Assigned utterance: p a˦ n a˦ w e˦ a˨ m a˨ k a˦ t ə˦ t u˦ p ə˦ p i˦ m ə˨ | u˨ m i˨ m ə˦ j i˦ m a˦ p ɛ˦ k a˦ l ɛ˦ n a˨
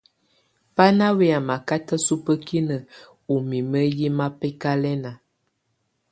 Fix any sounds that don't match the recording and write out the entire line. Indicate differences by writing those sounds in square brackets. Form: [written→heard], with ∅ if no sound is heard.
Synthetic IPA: p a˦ n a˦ w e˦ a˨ m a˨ k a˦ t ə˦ [t→s] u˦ p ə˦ [p→k] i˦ [m→n] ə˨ | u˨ m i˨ m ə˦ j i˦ m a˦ p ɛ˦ k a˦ l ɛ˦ n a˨